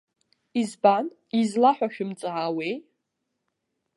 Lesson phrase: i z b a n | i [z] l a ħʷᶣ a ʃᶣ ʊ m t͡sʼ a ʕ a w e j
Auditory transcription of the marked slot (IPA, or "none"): z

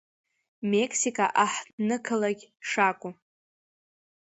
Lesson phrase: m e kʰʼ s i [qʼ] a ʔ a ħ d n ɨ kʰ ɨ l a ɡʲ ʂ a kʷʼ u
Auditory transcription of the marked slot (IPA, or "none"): kʼ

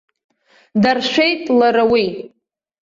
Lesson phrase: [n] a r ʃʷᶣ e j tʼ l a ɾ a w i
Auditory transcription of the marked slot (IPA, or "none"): d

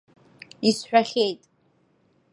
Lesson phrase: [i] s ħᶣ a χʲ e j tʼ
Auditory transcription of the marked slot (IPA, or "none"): i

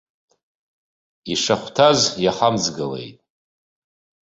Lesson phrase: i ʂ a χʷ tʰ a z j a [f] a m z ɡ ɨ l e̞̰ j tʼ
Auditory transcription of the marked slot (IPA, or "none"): χ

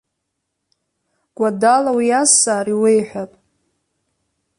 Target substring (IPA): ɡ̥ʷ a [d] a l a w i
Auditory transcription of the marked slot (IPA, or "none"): d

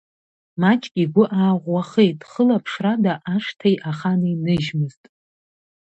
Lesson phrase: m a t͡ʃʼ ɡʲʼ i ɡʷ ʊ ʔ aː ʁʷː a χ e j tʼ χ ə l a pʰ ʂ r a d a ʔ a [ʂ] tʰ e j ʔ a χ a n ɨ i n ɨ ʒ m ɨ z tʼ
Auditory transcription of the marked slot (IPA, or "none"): ʂ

